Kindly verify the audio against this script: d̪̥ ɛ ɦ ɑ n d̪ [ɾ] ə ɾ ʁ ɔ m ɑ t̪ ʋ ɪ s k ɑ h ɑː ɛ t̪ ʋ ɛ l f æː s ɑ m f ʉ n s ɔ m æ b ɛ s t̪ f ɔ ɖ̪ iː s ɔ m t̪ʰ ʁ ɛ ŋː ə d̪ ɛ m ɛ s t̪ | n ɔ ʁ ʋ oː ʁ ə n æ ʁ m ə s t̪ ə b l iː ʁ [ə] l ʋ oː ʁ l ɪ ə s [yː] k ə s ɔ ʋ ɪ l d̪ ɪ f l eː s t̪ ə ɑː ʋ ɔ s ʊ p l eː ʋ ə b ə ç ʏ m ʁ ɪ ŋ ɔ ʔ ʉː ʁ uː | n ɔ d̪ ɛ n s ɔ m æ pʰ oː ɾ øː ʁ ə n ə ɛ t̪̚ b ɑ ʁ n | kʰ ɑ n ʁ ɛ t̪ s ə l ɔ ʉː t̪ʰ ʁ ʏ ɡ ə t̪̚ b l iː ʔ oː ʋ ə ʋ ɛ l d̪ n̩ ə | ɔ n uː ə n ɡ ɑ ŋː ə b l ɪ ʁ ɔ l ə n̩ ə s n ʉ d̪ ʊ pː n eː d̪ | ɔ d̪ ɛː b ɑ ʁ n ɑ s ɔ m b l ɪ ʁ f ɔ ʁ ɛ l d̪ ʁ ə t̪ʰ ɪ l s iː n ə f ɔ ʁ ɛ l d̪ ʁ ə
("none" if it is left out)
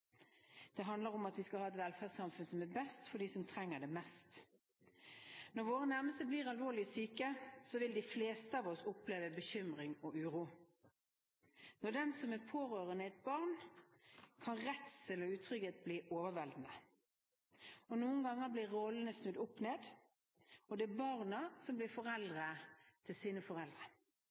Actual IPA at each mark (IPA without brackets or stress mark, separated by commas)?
l, ɑ, yː